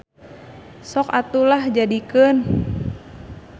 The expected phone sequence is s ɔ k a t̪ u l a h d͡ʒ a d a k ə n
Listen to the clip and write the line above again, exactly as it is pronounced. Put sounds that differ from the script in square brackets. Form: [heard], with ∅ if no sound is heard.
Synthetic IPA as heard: s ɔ k a t̪ u l a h d͡ʒ a d [i] k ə n